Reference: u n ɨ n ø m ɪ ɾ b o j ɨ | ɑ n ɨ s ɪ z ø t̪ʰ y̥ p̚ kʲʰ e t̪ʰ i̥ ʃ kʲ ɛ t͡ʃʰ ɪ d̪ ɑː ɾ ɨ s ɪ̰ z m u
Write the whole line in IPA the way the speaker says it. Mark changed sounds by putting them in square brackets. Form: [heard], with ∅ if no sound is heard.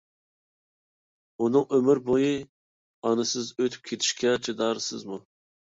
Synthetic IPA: u n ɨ [ŋ] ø m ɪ ɾ b o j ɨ | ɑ n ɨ s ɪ z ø t̪ʰ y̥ p̚ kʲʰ e t̪ʰ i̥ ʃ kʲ ɛ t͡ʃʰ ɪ d̪ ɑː ɾ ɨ s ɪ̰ z m u